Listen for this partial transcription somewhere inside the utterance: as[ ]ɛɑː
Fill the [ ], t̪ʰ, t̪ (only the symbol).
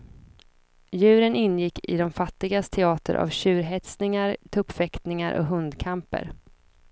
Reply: t̪ʰ